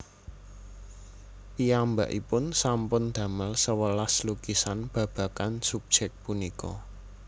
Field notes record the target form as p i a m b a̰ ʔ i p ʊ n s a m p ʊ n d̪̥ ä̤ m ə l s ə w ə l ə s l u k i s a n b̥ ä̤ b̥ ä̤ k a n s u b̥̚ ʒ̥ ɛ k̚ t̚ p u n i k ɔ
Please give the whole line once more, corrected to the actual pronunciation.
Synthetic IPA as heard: p i a m b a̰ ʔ i p ʊ n s a m p ʊ n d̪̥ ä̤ m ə l s ə w ə l a s l u k i s a n b̥ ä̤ b̥ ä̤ k a n s u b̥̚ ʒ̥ ɛ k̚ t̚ p u n i k ɔ